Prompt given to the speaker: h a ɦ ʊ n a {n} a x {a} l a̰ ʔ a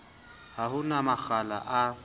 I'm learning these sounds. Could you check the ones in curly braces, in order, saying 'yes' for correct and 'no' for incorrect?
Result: no, yes

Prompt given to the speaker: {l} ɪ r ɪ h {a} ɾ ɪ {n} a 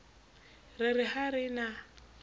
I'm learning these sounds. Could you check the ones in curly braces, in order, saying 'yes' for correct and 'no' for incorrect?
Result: no, yes, yes

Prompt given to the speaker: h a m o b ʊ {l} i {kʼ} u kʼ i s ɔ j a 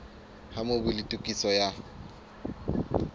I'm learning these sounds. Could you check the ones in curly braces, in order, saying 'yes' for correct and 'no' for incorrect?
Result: yes, no

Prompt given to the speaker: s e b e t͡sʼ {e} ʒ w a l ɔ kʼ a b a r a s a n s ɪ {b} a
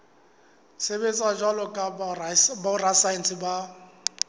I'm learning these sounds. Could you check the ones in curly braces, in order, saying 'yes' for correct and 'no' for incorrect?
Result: no, yes

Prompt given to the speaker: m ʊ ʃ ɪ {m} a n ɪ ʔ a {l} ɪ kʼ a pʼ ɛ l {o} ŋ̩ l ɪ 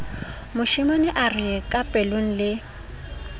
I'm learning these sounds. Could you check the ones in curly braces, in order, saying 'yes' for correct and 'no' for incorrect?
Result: yes, no, yes

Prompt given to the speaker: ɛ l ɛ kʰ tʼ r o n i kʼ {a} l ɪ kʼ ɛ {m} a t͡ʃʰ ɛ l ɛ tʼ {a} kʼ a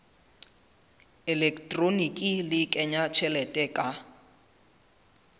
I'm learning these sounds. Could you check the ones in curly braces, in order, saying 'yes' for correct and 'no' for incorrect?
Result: no, no, no

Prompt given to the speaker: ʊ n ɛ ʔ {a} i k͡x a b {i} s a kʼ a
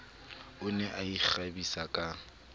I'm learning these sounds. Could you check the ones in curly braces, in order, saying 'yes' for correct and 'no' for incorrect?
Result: yes, yes

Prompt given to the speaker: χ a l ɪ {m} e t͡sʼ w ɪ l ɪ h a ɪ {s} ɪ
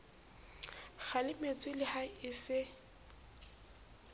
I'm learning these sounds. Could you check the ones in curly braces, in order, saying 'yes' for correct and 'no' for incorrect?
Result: yes, yes

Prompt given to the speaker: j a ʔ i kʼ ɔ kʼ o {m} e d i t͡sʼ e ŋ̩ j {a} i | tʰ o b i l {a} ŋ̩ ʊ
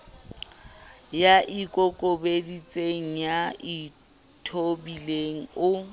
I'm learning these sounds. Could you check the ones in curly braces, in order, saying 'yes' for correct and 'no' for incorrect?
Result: no, yes, no

